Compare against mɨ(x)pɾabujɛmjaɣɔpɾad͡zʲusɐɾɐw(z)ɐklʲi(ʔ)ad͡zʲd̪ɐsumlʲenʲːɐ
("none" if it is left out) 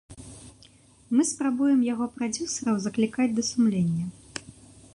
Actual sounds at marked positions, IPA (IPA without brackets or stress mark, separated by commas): s, z, k